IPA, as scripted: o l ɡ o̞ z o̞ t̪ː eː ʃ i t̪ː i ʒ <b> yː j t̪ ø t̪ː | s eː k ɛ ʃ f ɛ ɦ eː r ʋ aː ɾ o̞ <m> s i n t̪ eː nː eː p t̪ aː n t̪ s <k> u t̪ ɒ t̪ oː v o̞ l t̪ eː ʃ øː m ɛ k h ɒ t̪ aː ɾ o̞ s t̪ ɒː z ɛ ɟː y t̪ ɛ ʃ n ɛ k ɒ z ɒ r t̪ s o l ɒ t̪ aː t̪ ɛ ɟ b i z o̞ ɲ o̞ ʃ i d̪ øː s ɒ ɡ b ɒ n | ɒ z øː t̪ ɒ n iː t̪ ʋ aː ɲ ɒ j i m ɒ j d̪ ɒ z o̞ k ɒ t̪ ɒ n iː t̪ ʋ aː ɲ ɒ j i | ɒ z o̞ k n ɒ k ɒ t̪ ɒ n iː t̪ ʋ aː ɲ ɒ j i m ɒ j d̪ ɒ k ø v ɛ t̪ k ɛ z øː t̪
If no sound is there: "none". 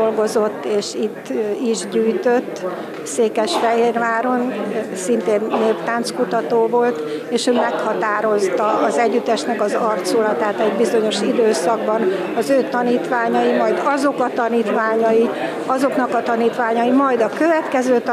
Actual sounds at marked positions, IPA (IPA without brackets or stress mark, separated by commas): ɟ, n, k